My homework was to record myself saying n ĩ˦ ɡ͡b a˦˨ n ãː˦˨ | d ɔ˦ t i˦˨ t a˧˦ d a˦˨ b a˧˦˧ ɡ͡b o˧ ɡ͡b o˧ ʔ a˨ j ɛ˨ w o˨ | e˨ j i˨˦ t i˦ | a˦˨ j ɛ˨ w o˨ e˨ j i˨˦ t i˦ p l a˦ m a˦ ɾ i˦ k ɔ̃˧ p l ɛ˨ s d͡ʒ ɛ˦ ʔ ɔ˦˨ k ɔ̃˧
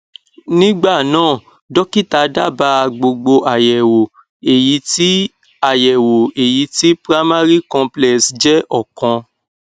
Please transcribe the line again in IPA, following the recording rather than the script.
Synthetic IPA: n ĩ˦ ɡ͡b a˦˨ n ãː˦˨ | d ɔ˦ k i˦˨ t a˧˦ d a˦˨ b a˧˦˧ ɡ͡b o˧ ɡ͡b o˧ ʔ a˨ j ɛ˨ w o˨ | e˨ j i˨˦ t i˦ | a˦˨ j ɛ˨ w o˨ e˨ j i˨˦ t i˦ p ɾ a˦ m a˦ ɾ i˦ k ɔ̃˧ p l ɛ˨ s d͡ʒ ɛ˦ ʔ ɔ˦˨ k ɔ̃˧